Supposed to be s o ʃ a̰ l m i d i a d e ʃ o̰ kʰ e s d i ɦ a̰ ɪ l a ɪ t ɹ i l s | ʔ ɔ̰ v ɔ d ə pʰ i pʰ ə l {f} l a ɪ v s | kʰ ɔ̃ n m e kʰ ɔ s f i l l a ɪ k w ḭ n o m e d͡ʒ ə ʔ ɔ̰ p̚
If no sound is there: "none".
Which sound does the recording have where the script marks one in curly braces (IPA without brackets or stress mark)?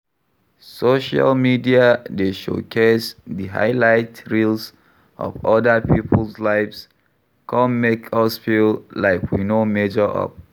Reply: s